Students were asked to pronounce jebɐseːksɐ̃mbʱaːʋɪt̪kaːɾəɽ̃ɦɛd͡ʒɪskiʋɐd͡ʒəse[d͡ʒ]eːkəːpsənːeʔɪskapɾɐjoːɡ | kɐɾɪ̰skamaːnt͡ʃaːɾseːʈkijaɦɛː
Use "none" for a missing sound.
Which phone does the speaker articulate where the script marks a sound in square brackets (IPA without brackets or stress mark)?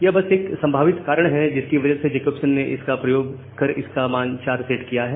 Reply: d͡ʒ